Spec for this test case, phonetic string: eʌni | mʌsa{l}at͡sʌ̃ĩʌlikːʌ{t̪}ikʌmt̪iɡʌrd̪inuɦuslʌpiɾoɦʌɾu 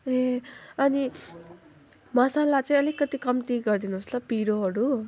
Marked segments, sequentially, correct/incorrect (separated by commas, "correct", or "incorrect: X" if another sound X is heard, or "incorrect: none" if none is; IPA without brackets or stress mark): correct, correct